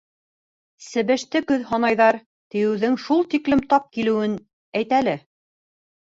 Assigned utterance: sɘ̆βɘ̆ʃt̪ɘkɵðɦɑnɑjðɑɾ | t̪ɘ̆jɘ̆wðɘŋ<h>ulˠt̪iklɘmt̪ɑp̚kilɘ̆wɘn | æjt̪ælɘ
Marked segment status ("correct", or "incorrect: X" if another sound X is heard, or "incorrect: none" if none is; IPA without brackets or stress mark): incorrect: ʃ